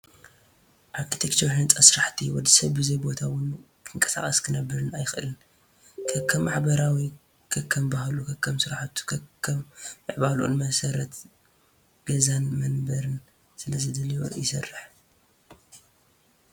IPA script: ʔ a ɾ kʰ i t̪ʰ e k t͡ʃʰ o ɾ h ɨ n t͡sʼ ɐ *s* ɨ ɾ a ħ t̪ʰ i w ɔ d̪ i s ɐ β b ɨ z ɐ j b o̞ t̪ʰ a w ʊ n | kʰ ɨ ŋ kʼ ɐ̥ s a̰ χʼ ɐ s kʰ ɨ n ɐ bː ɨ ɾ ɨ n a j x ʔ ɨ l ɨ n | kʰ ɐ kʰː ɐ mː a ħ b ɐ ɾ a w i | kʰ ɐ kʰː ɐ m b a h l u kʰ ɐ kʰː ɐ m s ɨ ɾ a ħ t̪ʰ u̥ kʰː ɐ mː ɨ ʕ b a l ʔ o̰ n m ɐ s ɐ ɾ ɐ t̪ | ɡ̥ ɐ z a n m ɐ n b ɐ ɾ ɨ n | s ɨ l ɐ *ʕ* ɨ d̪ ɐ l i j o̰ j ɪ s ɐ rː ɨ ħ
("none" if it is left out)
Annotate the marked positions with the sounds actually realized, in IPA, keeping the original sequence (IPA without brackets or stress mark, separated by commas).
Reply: s, z